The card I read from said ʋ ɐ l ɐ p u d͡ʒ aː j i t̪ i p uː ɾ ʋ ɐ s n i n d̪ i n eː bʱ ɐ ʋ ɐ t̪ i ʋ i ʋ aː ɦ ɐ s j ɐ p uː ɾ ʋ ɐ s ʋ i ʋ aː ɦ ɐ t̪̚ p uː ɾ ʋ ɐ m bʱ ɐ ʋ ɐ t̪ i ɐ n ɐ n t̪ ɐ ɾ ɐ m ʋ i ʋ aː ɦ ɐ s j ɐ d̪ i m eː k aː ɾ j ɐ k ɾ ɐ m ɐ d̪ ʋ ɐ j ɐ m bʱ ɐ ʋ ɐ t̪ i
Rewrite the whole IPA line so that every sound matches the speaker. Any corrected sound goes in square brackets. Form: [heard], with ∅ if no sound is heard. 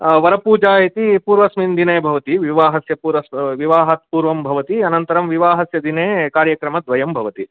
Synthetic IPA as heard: ʋ ɐ [ɾ] ɐ p [uː] d͡ʒ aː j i t̪ i p uː ɾ ʋ ɐ s [m] i n d̪ i n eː bʱ ɐ ʋ ɐ t̪ i ʋ i ʋ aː ɦ ɐ s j ɐ p uː ɾ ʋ ɐ s ʋ i ʋ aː ɦ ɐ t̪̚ p uː ɾ ʋ ɐ m bʱ ɐ ʋ ɐ t̪ i ɐ n ɐ n t̪ ɐ ɾ ɐ m ʋ i ʋ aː ɦ ɐ s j ɐ d̪ i [n] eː k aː ɾ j ɐ k ɾ ɐ m ɐ d̪ ʋ ɐ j ɐ m bʱ ɐ ʋ ɐ t̪ i